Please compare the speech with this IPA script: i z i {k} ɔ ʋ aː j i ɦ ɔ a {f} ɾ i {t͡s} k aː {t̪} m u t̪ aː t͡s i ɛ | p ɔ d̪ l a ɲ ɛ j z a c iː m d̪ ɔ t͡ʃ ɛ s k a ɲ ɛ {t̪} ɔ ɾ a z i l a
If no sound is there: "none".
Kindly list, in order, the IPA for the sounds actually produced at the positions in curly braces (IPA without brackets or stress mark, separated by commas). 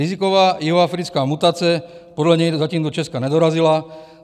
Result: k, f, t͡s, none, d̪